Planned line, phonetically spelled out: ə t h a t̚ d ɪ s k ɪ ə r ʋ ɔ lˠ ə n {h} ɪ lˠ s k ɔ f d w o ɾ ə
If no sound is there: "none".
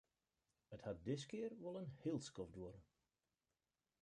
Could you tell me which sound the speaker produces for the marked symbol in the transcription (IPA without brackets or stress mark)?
h